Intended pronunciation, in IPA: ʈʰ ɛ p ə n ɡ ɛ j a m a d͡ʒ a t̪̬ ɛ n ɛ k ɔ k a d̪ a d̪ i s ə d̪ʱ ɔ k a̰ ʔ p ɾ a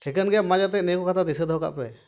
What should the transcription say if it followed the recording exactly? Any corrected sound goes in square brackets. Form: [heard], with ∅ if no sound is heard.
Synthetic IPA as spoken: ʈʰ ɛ [k] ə n ɡ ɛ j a m a d͡ʒ a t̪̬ ɛ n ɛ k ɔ k a [t̪] a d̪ i s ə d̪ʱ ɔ k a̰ ʔ p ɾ [ɛ]

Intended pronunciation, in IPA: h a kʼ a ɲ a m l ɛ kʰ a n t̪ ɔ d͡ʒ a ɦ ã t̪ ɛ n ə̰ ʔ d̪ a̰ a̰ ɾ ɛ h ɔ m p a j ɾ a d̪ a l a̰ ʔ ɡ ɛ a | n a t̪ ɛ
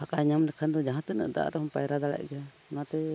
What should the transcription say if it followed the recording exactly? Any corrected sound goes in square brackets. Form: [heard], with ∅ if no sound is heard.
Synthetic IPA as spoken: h a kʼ a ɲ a m l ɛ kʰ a n [d̪] ɔ d͡ʒ a ɦ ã t̪ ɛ n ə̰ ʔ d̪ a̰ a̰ ɾ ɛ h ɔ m p a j ɾ a d̪ a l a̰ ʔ ɡ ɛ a | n a t̪ ɛ

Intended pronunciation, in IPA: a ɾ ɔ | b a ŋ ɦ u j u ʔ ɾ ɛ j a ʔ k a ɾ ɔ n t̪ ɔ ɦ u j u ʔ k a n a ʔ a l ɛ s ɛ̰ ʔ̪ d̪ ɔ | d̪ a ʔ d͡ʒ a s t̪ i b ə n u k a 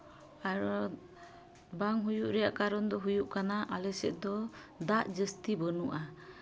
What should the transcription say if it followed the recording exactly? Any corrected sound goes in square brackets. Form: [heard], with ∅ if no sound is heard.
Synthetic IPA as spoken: a ɾ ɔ | b a ŋ ɦ u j u ʔ ɾ ɛ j a ʔ k a ɾ ɔ n [d̪] ɔ ɦ u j u ʔ k a n a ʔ a l ɛ s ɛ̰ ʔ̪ d̪ ɔ | d̪ a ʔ d͡ʒ [ə] s t̪ i b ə n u [ʔ] a

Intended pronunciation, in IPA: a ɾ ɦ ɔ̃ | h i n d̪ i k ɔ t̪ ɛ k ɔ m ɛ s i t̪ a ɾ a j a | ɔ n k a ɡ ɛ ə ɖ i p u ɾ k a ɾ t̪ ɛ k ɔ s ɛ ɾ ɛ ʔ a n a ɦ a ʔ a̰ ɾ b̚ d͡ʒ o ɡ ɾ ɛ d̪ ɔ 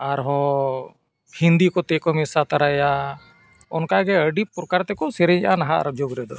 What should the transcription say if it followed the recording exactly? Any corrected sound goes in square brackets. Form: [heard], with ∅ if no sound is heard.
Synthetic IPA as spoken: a ɾ ɦ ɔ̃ | h i n d̪ i k ɔ t̪ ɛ k ɔ m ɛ s [a] t̪ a ɾ a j a | ɔ n k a ɡ ɛ ə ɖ i p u ɾ k a ɾ t̪ ɛ k ɔ s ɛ ɾ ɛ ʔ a n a ɦ a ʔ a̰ ɾ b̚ d͡ʒ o ɡ ɾ ɛ d̪ ɔ

